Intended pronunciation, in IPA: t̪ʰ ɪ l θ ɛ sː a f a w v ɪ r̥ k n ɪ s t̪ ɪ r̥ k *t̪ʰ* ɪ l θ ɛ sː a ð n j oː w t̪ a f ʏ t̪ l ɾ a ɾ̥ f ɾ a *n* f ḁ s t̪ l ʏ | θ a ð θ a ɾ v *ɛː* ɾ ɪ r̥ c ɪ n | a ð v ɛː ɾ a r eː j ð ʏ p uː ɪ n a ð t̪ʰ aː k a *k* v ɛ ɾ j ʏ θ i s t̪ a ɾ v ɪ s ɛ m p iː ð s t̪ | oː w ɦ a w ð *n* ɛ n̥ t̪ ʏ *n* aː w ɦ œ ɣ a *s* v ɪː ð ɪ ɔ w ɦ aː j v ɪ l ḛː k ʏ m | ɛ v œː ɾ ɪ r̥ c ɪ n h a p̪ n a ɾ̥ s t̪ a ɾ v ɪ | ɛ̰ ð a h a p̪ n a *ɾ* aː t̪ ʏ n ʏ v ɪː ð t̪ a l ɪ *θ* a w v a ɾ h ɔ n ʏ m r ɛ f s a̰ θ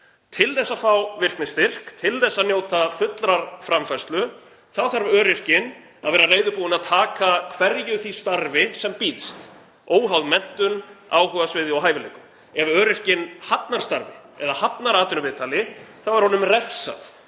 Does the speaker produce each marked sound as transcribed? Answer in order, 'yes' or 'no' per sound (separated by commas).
yes, no, no, no, no, yes, yes, yes, yes